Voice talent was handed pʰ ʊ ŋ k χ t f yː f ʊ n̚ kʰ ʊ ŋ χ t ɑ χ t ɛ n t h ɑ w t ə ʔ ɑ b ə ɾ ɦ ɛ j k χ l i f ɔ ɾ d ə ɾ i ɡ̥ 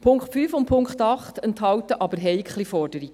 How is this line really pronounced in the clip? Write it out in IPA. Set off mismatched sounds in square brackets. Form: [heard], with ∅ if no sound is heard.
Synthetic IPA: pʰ ʊ ŋ k χ t f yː f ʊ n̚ [pʰ] ʊ ŋ χ t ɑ χ t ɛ n t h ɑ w t ə ʔ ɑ b ə ɾ ɦ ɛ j k χ l i f ɔ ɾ d ə ɾ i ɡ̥